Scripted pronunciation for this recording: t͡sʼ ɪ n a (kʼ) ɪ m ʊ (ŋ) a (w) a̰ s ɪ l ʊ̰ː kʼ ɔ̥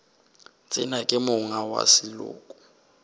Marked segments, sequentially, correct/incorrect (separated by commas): correct, correct, correct